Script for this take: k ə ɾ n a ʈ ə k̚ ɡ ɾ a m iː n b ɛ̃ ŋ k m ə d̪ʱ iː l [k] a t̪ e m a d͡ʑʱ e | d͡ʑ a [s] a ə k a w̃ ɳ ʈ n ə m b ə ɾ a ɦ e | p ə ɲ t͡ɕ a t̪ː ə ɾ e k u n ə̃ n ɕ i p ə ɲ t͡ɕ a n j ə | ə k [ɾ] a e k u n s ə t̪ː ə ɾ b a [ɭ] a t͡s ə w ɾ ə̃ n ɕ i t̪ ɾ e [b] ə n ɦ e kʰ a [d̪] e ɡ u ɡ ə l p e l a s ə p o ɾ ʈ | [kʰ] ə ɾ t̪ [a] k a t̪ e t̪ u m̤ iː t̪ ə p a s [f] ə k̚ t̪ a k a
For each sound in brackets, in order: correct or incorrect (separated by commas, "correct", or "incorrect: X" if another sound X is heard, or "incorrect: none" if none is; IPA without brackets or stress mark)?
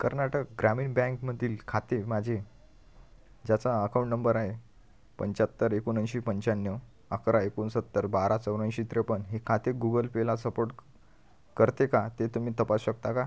incorrect: kʰ, incorrect: t͡s, correct, incorrect: ɾ, incorrect: p, incorrect: t̪, incorrect: k, incorrect: e, incorrect: ɕ